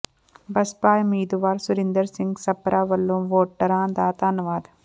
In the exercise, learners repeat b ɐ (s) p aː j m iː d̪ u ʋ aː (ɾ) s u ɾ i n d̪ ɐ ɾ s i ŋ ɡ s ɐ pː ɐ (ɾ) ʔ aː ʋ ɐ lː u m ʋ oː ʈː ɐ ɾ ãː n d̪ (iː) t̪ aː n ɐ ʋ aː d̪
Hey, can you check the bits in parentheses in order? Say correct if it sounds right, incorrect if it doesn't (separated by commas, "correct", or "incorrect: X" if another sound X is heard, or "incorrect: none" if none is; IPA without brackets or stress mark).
correct, correct, correct, incorrect: aː